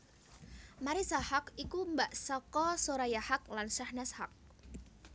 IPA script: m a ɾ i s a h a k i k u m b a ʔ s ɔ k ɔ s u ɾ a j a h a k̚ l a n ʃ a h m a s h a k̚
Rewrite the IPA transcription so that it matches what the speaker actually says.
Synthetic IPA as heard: m a ɾ i s a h a k i k u m b a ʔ s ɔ k ɔ s o ɾ a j a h a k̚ l a n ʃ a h n a s h a k̚

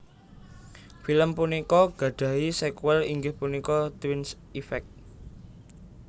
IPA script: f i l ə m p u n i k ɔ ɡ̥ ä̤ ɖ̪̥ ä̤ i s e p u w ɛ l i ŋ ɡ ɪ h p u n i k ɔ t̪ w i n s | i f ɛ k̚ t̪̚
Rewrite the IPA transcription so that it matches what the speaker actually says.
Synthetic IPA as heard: f i l ə m p u n i k ɔ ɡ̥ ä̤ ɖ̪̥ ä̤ i s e k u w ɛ l i ŋ ɡ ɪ h p u n i k ɔ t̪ w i n s | i f ɛ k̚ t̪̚

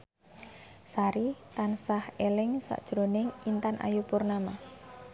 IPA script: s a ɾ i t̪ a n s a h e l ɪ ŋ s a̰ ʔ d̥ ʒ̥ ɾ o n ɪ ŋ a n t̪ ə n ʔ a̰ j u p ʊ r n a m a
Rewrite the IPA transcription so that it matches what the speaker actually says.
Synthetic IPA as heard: s a ɾ i t̪ a n s a h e l ɪ ŋ s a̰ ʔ d̥ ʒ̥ ɾ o n ɪ ŋ i n t̪ a n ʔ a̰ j u p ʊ r n a m a

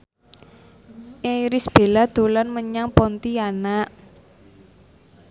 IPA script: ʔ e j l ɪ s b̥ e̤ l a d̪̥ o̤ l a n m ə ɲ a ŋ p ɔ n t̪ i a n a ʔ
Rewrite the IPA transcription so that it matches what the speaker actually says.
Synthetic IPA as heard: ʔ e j ɾ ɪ s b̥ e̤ l a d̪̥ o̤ l a n m ə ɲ a ŋ p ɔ n t̪ i a n a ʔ

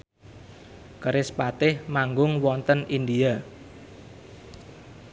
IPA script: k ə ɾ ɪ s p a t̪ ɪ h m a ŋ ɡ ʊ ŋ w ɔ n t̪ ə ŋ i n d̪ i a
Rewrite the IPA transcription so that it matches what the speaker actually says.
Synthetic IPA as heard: k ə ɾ ɪ s p a t̪ ɪ h m a ŋ ɡ ʊ ŋ w ɔ n t̪ ə n i n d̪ i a

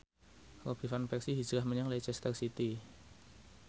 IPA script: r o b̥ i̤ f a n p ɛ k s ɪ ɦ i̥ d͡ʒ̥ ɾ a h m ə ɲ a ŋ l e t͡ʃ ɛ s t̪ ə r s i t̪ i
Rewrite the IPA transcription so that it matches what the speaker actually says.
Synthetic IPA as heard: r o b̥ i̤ f a n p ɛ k s i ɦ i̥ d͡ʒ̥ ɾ a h m ə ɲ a ŋ l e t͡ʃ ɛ s t̪ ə r s i t̪ i

